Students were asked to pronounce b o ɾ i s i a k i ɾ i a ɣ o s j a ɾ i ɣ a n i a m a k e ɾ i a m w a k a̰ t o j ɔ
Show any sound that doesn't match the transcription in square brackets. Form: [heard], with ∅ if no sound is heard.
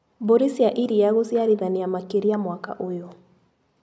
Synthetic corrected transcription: b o ɾ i s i a [ʔ] i ɾ i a ɣ o s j a ɾ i [ð] a n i a m a k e ɾ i a m w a k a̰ [ʔ] o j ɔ